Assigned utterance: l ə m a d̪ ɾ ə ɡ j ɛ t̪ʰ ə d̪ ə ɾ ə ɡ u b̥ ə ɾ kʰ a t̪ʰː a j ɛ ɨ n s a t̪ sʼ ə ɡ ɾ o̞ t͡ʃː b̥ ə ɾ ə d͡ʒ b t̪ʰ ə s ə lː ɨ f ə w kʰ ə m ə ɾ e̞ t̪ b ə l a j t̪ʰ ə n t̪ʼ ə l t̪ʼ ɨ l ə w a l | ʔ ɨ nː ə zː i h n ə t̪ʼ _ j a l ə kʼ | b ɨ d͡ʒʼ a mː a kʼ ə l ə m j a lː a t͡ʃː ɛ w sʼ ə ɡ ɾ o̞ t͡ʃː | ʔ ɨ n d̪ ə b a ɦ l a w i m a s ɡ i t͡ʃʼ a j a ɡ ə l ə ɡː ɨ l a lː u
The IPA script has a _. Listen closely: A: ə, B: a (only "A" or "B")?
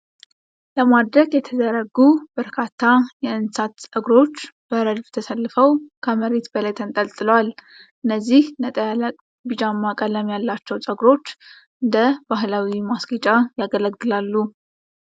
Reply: A